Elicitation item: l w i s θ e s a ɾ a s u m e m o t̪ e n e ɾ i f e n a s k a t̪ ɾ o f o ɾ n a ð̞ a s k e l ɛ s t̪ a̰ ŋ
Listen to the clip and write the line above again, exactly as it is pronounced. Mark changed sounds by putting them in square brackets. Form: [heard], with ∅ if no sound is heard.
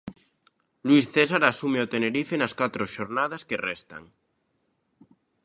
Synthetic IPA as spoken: l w i s θ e s a ɾ a s u m e [∅] o t̪ e n e ɾ i f e n a s k a t̪ ɾ o [ʃ] o ɾ n a ð̞ a s k e [r] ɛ s t̪ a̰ ŋ